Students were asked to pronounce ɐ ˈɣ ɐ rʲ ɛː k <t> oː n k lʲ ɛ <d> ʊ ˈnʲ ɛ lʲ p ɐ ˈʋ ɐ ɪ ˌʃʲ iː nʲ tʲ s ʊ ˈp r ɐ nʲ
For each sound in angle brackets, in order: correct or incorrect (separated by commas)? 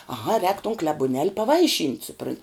correct, incorrect